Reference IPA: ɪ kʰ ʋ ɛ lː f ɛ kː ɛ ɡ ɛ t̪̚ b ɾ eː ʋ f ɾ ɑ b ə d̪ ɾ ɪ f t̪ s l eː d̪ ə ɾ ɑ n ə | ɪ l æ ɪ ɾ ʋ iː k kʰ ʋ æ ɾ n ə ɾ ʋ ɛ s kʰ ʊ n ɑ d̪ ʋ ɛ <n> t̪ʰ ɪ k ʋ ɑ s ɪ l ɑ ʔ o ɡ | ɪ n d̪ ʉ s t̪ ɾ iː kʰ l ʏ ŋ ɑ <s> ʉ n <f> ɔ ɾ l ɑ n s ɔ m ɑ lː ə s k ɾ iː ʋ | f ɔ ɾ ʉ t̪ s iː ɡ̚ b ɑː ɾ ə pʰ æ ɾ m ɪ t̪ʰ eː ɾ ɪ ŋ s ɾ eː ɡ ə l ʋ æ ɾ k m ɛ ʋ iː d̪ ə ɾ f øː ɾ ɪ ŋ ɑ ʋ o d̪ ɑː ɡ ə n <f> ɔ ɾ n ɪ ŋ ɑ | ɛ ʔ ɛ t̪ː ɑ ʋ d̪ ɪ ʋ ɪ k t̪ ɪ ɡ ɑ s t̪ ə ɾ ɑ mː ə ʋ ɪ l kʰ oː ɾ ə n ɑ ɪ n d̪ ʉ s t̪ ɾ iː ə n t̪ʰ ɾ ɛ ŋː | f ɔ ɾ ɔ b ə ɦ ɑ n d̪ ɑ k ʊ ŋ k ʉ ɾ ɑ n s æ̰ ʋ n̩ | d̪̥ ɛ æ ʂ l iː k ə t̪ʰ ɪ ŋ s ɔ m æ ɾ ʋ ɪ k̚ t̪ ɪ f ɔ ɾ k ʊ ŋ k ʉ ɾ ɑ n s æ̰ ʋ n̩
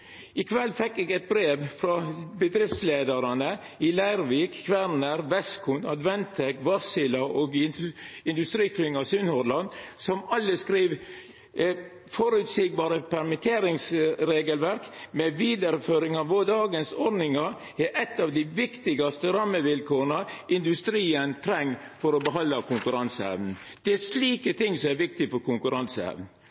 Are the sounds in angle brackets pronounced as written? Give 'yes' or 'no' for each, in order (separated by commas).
yes, yes, no, no